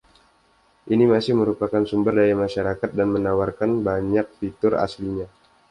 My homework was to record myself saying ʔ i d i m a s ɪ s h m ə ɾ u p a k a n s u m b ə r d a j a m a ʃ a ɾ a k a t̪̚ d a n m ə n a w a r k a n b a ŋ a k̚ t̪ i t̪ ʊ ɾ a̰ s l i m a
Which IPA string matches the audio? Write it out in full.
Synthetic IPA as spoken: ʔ i n i m a s ɪ h m ə ɾ u p a k a n s u m b ə r d a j a m a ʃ a ɾ a k a t̪̚ d a n m ə n a w a r k a n b a ɲ a k̚ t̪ i t̪ ʊ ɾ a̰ s l i ɲ a